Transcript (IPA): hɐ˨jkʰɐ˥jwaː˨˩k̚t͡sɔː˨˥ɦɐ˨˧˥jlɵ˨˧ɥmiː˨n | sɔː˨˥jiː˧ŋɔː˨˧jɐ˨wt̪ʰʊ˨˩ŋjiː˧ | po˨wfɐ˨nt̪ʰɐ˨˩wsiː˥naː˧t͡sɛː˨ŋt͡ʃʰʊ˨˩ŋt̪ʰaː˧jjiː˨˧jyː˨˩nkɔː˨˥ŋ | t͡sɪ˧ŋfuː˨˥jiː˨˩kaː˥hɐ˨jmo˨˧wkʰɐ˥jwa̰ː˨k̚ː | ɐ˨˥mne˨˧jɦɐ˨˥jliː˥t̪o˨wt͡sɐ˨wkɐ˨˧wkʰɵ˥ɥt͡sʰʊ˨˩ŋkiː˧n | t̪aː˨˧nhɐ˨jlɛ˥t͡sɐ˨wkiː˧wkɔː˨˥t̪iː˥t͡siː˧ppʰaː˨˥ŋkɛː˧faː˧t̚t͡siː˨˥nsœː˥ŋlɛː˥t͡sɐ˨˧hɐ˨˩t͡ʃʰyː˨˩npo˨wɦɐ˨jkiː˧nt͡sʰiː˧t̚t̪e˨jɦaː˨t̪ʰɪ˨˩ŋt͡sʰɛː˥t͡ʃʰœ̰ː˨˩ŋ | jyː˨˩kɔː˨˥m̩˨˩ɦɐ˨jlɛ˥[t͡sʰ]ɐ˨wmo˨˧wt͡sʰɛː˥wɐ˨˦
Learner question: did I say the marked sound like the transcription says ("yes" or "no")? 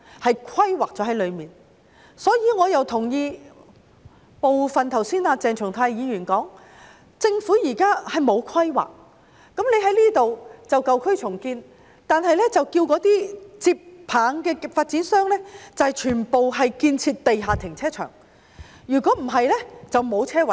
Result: no